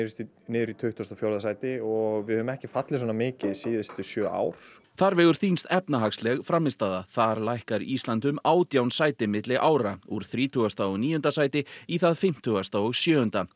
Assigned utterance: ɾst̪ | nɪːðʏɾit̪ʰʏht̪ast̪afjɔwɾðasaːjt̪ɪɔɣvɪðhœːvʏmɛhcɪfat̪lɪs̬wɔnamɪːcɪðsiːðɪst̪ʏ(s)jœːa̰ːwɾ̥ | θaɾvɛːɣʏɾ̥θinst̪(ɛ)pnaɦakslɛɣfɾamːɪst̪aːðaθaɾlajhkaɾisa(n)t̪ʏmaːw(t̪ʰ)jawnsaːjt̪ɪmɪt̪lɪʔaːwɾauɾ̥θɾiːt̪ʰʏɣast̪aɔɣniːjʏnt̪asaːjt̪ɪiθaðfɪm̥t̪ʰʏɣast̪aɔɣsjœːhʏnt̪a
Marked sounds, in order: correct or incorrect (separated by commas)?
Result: correct, correct, correct, incorrect